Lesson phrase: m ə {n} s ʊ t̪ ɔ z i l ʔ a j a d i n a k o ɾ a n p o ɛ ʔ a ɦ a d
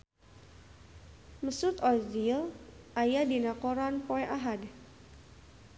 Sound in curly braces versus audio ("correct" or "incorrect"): incorrect